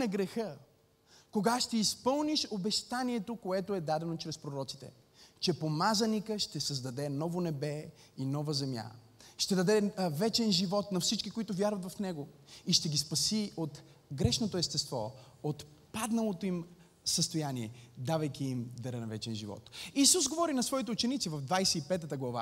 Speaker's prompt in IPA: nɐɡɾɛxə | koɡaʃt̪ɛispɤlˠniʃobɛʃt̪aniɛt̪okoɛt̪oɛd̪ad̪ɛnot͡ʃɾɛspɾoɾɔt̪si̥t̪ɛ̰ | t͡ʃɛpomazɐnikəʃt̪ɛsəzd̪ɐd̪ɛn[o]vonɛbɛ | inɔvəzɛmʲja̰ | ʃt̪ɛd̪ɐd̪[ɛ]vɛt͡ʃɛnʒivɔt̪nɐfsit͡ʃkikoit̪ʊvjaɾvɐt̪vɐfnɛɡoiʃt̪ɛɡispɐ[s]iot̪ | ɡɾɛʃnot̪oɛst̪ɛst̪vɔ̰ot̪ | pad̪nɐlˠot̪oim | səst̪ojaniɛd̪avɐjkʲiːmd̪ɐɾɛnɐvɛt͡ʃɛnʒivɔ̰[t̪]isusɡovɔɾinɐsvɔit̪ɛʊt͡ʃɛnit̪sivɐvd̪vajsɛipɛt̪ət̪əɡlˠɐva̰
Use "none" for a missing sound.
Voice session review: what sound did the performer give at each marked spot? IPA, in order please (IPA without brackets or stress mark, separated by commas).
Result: ɔ, ɛ, s, t̪